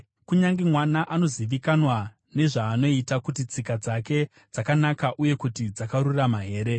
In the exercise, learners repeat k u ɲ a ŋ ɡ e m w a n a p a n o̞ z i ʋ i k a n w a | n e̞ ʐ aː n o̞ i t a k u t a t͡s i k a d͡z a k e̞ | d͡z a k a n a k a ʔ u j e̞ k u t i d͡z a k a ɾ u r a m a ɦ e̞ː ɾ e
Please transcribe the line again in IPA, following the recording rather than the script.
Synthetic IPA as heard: k u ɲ a ŋ ɡ e m w a n a ʔ a n o̞ z i ʋ i k a n w a | n e̞ ʐ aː n o̞ i t a k u t i t͡s i k a d͡z a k e̞ | d͡z a k a n a k a ʔ u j e̞ k u t i d͡z a k a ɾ u r a m a ɦ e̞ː ɾ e

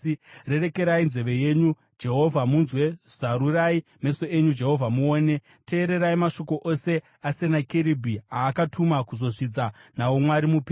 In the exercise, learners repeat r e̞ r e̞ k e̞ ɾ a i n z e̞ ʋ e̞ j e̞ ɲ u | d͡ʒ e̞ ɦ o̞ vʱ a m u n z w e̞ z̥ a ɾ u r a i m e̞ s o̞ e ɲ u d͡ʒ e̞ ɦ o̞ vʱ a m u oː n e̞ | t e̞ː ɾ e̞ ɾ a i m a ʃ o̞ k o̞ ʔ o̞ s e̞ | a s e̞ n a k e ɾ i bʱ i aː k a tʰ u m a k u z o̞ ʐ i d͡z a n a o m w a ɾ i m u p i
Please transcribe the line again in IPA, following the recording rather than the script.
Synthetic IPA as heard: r e̞ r e̞ k e̞ ɾ a i n z e̞ ʋ e̞ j e̞ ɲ u | d͡ʒ e̞ ɦ o̞ vʱ a m u n z w e̞ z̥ a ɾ u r a i m e̞ s o̞ e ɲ u d͡ʒ e̞ ɦ o̞ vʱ a m u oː n e̞ | t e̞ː ɾ e̞ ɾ a i m a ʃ o̞ k o̞ ʔ o̞ s e̞ | a s e̞ n a k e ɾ i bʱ i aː k a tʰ u m a k u z o̞ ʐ i d͡z a n a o m w a ɾ i m u p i

